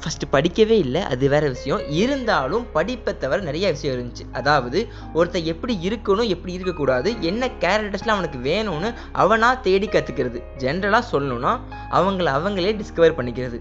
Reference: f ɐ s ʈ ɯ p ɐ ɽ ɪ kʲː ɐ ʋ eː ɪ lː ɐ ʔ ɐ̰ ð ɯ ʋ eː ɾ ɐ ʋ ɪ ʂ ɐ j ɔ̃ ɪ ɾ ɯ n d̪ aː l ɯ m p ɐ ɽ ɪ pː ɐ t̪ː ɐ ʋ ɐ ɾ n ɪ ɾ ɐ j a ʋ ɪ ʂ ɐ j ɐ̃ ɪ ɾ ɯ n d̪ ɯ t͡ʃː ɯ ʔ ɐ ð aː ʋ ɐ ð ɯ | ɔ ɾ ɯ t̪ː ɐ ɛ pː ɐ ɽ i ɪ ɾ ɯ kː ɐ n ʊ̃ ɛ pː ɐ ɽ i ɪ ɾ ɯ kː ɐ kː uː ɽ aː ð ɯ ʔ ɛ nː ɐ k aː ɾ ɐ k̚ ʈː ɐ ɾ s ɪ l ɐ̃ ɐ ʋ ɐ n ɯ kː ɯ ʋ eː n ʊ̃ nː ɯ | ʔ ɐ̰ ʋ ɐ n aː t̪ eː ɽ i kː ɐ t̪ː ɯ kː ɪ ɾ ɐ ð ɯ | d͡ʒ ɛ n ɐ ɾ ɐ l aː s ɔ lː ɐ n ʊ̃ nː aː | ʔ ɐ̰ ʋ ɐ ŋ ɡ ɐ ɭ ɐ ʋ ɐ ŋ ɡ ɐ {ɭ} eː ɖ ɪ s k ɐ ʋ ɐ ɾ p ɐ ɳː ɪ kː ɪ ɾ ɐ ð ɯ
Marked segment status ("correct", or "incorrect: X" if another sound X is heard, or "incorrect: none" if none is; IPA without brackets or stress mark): correct